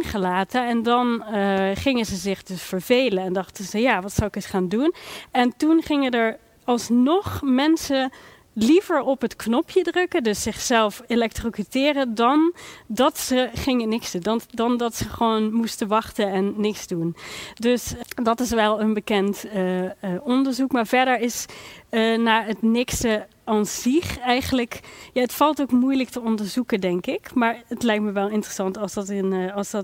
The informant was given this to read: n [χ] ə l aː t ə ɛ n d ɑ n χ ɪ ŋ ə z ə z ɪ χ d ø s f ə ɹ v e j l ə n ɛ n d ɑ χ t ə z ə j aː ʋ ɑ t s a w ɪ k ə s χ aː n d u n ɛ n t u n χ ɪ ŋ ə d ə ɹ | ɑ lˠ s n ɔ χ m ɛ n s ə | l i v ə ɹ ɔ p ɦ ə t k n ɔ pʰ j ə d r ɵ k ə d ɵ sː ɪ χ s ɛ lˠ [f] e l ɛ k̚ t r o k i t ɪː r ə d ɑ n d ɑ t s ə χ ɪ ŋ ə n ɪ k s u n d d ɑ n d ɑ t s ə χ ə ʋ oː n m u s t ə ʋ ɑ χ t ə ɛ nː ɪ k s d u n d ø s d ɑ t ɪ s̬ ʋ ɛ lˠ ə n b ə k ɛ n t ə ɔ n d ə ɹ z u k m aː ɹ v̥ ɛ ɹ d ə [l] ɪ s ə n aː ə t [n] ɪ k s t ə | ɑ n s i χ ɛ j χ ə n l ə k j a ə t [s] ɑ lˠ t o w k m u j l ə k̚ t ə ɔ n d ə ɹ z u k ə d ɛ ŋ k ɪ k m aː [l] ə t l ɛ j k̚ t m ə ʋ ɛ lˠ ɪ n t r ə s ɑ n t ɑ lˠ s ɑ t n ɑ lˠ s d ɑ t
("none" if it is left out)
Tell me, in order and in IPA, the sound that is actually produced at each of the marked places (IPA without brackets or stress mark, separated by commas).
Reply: χ, f, ɹ, n, f, ɹ